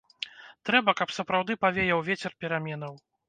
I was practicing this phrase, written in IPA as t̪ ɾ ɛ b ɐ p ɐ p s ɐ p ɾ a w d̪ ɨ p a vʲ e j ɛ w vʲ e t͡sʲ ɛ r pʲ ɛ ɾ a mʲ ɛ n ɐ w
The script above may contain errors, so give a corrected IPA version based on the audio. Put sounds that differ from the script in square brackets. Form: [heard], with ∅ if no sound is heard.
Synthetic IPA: t̪ ɾ ɛ b ɐ [k] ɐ p s ɐ p ɾ a w d̪ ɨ p a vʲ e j ɛ w vʲ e t͡sʲ ɛ r pʲ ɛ ɾ a mʲ ɛ n ɐ w